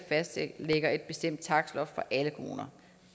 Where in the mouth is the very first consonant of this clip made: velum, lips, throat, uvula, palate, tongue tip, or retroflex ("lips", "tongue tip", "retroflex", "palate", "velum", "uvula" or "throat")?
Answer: lips